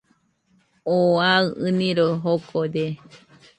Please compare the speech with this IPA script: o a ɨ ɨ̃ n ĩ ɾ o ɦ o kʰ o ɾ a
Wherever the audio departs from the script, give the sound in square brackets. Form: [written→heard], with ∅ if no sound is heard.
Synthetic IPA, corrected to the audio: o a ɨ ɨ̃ n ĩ ɾ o ɦ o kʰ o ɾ [a→e]